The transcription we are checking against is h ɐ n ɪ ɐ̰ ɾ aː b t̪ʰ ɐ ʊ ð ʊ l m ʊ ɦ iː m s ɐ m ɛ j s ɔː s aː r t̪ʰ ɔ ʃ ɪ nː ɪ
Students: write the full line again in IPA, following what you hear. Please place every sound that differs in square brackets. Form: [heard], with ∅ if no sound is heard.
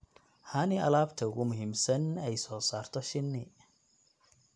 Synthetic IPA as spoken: h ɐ n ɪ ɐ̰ [l] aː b t̪ʰ ɐ ʊ [ɣ] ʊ [∅] m ʊ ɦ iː m s ɐ [n] ɛ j s ɔː s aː r t̪ʰ ɔ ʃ ɪ nː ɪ